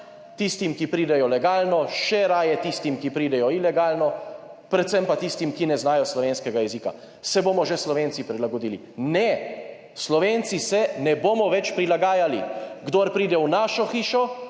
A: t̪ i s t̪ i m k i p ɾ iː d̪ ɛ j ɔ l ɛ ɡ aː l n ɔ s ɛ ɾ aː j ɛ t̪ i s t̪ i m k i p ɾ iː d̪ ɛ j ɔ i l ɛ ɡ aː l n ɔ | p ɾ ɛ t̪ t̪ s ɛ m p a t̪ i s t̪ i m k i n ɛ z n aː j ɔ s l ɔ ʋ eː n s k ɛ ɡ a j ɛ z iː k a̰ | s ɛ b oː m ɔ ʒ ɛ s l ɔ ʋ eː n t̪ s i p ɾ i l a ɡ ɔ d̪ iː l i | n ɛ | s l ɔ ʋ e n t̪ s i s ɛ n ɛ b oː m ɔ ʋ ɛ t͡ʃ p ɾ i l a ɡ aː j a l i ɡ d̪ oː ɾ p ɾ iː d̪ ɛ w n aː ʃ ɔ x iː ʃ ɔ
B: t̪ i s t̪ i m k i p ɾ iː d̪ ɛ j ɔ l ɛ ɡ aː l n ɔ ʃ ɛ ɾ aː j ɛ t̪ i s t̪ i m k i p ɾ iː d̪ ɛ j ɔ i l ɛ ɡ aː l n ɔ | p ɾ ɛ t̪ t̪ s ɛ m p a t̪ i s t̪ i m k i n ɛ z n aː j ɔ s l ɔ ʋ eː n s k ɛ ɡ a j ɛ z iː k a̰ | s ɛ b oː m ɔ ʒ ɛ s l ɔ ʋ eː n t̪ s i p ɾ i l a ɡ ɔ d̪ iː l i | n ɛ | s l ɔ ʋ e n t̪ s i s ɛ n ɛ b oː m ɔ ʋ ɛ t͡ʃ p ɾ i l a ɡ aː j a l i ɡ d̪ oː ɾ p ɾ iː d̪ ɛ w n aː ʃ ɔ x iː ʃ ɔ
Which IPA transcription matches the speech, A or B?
B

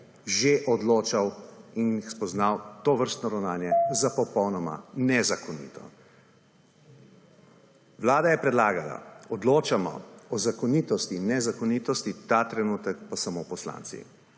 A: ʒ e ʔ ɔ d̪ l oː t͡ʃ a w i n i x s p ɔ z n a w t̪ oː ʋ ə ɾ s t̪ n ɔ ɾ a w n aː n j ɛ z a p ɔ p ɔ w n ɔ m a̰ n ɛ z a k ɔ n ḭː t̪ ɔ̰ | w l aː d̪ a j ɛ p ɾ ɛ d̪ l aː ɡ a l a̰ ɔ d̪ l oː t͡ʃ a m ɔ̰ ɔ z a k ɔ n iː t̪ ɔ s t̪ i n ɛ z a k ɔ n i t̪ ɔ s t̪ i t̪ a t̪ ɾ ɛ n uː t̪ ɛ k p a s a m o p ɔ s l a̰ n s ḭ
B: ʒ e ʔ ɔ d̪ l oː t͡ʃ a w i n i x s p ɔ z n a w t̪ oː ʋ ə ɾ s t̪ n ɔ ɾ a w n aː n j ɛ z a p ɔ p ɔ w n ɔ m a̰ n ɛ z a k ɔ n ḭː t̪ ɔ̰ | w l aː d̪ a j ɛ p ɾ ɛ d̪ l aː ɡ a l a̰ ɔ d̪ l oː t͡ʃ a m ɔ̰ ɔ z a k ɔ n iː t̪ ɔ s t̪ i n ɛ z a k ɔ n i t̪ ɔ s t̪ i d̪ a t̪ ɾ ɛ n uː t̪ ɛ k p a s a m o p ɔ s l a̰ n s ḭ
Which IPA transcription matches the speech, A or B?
A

